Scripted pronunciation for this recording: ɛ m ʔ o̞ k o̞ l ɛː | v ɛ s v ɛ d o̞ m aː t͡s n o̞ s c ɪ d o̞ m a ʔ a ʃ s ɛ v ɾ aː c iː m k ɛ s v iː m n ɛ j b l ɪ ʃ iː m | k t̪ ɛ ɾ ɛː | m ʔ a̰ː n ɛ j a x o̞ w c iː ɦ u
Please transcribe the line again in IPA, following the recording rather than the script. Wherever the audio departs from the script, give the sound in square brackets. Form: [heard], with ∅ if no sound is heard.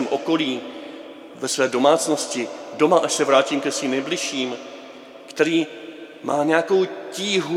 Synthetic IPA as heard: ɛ m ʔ o̞ k o̞ l [iː] | v ɛ s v [ɛː] d o̞ m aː t͡s n o̞ s c ɪ d o̞ m a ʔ a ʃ s ɛ v ɾ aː c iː m k ɛ s v iː m n ɛ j b l ɪ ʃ iː m | k t̪ ɛ ɾ [iː] | m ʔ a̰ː [ɲ] ɛ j a [k] o̞ w c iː ɦ u